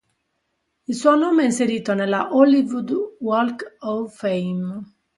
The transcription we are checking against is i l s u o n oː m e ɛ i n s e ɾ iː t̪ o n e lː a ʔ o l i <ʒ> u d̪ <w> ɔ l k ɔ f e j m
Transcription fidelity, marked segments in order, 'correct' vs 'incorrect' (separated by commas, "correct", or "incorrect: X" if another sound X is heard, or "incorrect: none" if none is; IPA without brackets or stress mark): incorrect: v, correct